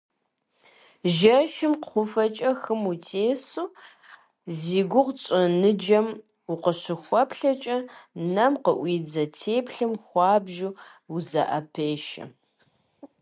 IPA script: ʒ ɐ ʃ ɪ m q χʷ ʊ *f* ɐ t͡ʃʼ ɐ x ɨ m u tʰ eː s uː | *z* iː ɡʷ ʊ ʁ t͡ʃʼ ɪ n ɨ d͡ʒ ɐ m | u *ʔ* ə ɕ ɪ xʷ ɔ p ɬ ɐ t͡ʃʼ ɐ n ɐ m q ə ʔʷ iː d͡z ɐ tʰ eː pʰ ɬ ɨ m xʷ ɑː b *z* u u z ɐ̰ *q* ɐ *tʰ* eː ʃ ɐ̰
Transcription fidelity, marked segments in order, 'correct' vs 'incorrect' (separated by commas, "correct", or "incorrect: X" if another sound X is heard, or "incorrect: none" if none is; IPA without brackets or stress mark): correct, correct, incorrect: q, incorrect: ʒ, incorrect: ʔ, incorrect: pʰ